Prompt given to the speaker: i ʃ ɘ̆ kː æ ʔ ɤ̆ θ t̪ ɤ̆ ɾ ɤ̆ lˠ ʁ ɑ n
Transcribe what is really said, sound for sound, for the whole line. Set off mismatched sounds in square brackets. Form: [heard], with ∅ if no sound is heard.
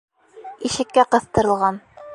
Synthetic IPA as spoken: i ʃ ɘ̆ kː æ [q] ɤ̆ θ t̪ ɤ̆ ɾ ɤ̆ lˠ ʁ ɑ n